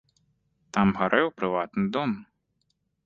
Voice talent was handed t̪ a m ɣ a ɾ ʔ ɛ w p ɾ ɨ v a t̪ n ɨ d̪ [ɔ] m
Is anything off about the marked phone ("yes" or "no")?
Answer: no